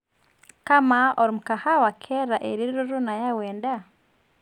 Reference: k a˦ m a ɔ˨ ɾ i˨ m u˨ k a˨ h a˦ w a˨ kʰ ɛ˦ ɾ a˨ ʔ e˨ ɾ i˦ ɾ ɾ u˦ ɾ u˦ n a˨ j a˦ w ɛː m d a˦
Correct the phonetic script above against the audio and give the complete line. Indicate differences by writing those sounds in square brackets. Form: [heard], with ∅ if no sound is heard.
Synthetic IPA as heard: k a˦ m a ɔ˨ ɾ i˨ m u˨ k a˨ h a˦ w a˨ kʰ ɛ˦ ɾ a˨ ʔ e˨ ɾ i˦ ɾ ɾ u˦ ɾ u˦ n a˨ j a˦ w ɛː [n] d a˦